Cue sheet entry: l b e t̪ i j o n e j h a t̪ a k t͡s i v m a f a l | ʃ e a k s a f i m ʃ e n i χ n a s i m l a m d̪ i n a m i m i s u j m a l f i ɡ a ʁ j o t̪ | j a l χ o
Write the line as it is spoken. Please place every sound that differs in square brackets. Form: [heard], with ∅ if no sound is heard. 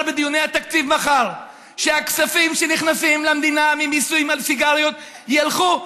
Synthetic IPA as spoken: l b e [d̪] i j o n e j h a t̪ a k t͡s i v m a [χ] a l | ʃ e a k s a f i m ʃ e n i χ n a s i m l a m d̪ i n a m i m i s u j m a l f i ɡ a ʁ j o t̪ | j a l χ [u]